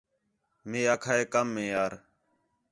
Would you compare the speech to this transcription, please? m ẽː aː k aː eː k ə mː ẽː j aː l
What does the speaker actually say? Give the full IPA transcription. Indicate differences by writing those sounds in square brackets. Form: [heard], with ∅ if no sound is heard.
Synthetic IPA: m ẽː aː [kʰ] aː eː k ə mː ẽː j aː [ɾ]